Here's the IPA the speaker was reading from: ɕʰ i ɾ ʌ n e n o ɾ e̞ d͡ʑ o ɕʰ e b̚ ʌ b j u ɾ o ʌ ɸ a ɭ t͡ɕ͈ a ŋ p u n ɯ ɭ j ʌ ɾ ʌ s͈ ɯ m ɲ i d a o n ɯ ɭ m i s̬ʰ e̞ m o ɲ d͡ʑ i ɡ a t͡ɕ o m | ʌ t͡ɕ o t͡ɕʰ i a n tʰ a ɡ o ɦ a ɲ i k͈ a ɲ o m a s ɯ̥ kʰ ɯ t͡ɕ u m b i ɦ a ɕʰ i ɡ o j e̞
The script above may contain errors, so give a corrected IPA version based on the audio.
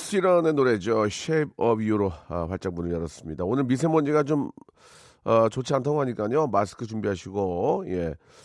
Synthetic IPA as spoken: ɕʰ i ɾ ʌ n e n o ɾ e̞ d͡ʑ o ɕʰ e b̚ ʌ b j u ɾ o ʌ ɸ a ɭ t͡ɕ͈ a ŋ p u n ɯ ɭ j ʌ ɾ ʌ s͈ ɯ m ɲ i d a o n ɯ ɭ m i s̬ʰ e̞ m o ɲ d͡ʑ i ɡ a t͡ɕ o m | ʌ t͡ɕ o t͡ɕʰ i a n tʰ a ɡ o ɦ a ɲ i k͈ a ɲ o m a s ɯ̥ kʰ ɯ t͡ɕ u m b i ɦ a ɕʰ i ɡ o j e̞